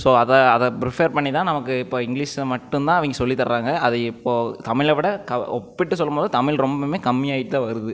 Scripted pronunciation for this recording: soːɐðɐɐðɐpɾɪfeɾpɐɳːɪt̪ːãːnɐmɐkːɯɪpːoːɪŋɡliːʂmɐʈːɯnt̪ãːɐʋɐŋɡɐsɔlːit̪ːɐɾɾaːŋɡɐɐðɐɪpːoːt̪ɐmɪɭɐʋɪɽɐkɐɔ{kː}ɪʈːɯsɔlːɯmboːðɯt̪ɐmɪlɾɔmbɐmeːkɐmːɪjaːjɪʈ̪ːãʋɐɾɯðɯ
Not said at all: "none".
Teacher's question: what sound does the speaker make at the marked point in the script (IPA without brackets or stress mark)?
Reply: pː